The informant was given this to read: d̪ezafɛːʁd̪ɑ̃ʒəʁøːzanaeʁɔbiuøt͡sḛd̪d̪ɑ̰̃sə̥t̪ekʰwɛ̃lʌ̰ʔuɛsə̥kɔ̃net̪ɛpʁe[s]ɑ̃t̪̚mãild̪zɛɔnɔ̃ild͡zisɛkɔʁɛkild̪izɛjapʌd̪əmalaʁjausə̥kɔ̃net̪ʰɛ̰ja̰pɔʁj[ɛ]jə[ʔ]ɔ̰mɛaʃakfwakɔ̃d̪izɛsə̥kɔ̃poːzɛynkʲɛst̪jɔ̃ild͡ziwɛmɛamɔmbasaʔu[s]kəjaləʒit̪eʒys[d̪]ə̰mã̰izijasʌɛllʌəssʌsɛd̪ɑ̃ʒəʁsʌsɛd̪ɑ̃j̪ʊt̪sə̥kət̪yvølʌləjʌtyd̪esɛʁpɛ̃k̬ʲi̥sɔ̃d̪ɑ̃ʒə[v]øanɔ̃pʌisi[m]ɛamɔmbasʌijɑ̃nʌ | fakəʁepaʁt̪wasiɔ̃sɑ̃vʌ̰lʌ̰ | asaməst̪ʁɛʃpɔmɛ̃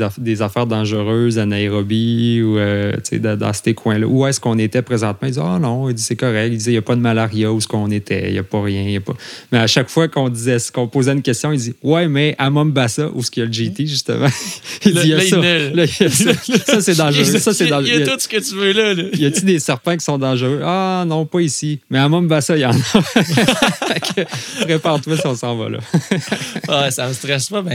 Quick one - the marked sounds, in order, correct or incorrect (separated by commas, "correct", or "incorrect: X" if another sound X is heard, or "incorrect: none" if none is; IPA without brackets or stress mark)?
incorrect: z, incorrect: ɛ̃, incorrect: p, correct, incorrect: t̪, incorrect: ʁ, correct